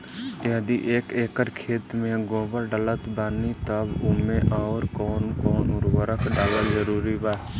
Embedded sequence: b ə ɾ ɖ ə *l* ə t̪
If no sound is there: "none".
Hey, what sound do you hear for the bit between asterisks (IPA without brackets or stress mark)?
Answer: l